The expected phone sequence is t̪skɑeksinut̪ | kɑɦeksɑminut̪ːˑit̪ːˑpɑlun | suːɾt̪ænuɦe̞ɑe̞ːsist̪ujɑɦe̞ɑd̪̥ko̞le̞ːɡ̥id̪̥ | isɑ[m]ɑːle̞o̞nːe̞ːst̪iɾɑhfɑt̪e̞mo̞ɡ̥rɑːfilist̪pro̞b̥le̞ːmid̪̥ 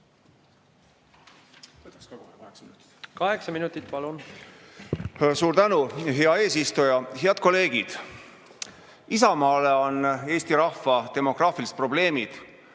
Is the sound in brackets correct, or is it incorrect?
correct